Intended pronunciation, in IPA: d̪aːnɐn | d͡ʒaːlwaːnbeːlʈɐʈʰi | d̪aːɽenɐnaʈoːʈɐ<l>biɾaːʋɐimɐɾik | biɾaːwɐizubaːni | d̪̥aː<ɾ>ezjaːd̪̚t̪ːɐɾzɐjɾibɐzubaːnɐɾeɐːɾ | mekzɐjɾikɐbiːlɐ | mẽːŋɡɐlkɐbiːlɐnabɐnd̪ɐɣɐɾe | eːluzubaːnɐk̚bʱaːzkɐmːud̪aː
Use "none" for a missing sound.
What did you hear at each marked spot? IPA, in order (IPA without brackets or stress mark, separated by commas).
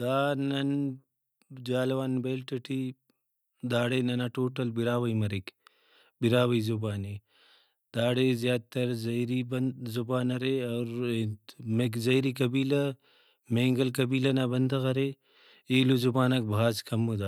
l, ɽ